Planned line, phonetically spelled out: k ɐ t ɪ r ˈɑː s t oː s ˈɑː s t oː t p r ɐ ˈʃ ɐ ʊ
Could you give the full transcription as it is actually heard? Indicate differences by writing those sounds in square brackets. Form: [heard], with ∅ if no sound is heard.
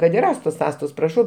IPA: k ɐ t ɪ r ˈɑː s t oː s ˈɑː s t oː [s] p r ɐ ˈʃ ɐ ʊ